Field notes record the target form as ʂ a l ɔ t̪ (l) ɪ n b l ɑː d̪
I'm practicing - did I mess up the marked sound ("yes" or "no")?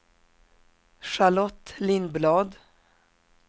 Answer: no